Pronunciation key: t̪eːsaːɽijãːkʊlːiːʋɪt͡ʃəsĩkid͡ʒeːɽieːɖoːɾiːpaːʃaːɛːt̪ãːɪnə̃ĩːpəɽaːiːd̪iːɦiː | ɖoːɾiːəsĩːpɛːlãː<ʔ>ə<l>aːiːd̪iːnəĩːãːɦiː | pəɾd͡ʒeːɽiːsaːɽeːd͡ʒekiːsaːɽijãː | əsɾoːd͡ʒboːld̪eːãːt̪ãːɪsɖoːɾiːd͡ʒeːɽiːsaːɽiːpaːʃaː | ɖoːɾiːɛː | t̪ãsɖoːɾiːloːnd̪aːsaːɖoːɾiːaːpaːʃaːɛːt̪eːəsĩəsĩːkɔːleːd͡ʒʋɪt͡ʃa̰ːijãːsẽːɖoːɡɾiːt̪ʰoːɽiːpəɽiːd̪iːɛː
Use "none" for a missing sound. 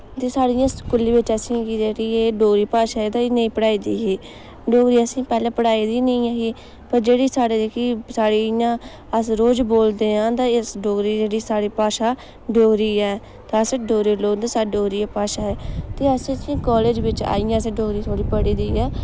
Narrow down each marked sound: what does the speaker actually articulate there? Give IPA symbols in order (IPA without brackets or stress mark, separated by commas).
p, ɽ